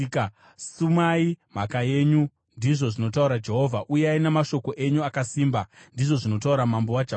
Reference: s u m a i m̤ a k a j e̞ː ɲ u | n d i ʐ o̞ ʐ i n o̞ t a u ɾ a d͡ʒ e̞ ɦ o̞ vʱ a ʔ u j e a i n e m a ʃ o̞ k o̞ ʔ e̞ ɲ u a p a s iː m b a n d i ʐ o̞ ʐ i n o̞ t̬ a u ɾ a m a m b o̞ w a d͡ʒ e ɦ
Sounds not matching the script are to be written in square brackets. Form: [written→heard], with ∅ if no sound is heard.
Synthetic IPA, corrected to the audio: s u m a i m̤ a k a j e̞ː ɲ u | n d i ʐ o̞ ʐ i n o̞ t a u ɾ a d͡ʒ e̞ ɦ o̞ vʱ a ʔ u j e a i n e m a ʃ o̞ k o̞ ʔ e̞ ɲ u a [p→k] a s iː m b a n d i ʐ o̞ ʐ i n o̞ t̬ a u ɾ a m a m b o̞ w a d͡ʒ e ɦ